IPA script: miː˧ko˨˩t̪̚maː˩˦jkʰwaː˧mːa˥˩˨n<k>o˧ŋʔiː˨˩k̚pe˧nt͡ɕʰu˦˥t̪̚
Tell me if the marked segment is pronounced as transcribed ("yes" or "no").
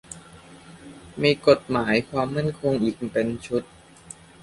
no